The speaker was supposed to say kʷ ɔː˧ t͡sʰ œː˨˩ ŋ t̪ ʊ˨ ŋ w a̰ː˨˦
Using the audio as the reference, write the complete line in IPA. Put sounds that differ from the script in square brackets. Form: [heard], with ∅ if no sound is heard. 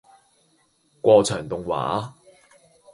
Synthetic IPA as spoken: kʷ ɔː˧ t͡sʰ œː˨˩ ŋ t̪ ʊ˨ ŋ w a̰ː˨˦